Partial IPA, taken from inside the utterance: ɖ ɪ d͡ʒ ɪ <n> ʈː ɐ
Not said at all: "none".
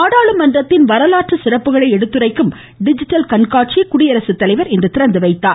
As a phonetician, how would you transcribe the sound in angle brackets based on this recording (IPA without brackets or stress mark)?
none